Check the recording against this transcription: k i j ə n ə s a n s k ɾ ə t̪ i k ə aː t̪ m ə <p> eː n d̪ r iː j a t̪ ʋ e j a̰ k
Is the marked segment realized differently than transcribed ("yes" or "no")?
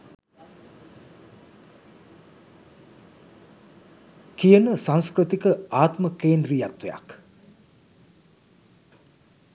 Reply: yes